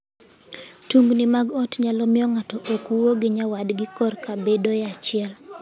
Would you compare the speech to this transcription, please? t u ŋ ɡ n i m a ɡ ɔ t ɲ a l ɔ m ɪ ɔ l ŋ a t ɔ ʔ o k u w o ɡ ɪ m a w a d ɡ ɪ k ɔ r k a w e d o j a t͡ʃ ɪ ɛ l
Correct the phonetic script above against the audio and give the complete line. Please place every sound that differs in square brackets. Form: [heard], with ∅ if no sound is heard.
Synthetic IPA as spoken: t u ŋ ɡ n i m a ɡ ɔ t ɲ a l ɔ m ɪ ɔ [∅] ŋ a t ɔ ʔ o k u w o ɡ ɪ [ɲ] a w a d ɡ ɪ k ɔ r k a [b] e d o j a t͡ʃ ɪ ɛ l